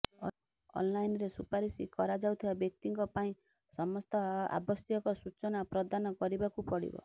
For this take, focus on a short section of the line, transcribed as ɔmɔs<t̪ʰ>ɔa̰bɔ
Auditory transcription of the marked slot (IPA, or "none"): t̪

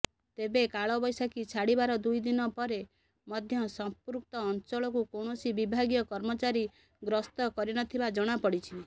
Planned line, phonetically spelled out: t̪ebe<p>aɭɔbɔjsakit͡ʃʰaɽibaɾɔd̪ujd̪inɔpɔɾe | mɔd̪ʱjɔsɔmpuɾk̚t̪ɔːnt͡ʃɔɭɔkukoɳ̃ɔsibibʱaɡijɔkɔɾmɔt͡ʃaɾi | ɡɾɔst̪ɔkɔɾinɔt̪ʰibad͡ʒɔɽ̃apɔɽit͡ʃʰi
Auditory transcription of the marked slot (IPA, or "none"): k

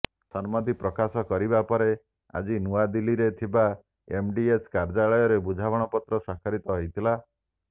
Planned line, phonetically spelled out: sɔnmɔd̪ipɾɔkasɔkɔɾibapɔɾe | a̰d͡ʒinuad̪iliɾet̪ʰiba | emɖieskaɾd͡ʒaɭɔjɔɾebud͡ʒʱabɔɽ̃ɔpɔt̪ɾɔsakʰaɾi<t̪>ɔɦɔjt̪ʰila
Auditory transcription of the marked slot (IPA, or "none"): t̪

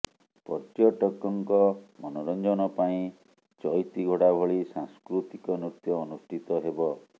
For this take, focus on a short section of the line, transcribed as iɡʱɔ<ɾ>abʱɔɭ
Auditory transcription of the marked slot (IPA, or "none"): ɽ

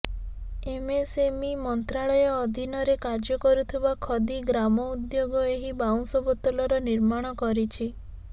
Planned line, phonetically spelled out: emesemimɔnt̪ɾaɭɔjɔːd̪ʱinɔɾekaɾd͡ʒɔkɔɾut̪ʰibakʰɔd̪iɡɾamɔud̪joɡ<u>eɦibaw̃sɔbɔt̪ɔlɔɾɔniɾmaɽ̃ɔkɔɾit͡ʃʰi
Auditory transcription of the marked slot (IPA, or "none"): ɔ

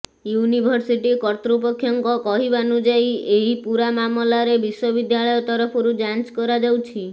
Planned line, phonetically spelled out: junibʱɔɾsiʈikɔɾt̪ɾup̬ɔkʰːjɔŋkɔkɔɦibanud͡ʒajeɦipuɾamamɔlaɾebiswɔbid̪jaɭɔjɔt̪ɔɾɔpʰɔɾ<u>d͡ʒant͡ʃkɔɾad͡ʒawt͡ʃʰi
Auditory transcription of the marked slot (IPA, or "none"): u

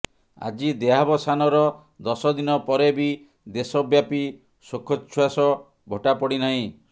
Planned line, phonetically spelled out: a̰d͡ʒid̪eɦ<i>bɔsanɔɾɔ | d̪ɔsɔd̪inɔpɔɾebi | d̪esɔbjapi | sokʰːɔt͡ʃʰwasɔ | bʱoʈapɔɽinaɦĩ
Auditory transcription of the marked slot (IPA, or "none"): a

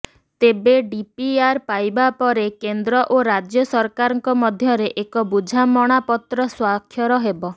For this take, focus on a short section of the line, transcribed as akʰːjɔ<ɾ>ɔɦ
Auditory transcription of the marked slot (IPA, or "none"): ɾ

